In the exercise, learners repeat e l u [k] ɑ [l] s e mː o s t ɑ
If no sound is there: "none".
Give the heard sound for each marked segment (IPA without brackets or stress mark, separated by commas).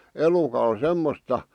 k, l